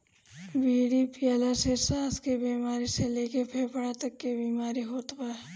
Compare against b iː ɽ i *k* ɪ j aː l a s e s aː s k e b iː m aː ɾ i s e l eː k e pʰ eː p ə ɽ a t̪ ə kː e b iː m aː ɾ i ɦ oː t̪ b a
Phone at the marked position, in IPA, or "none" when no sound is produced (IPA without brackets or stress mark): p